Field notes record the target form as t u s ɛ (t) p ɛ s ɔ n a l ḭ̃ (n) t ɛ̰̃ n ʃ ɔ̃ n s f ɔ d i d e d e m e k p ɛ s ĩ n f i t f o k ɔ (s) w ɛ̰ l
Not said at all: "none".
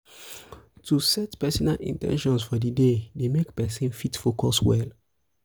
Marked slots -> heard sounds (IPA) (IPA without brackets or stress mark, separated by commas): t, n, s